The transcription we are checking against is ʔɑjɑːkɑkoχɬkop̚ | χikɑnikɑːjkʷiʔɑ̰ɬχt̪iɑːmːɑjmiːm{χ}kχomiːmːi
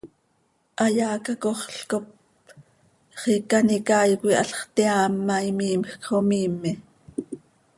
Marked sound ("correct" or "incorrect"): incorrect